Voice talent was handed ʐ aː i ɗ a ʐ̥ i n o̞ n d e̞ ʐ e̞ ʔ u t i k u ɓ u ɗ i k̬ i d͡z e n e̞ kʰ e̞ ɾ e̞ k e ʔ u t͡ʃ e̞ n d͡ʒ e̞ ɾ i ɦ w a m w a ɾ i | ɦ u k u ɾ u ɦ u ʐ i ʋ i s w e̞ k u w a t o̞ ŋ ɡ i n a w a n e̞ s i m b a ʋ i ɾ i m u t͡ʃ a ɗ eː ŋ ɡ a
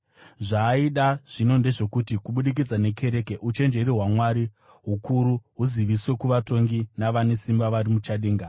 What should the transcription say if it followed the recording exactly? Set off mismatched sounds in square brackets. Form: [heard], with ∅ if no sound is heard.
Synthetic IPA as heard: ʐ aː i ɗ a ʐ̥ i n o̞ n d e̞ ʐ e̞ [k] u t i k u ɓ u ɗ i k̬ i d͡z [a] n e̞ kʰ e̞ ɾ e̞ k e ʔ u t͡ʃ e̞ n d͡ʒ e̞ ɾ i ɦ w a m w a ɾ i | ɦ u k u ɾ u ɦ u [z] i ʋ i s w e̞ k u [ʋ] a t o̞ ŋ ɡ i n a [ʋ] a n e̞ s i m b a ʋ [a] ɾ i m u t͡ʃ a ɗ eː ŋ ɡ a